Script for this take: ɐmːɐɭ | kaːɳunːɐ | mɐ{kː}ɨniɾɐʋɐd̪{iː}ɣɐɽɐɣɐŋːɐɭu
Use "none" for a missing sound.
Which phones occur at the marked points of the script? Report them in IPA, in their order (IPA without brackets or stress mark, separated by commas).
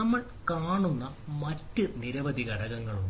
tː, i